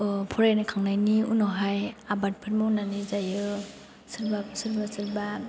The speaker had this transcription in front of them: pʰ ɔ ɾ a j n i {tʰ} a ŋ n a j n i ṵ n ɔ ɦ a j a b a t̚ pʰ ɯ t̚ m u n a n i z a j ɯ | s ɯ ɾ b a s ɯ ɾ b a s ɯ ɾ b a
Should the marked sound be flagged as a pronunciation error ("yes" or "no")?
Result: yes